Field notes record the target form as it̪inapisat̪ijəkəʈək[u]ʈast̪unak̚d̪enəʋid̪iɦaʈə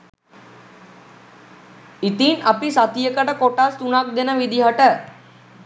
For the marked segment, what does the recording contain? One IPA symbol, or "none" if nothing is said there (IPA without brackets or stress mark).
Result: o